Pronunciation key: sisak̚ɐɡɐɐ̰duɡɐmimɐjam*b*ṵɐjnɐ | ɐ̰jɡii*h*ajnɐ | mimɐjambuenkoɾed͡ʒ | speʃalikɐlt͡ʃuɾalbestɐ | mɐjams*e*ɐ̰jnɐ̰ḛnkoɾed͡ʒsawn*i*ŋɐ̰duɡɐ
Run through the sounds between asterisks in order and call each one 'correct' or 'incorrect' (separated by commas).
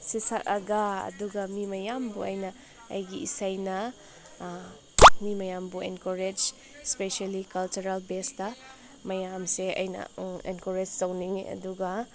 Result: correct, incorrect, correct, correct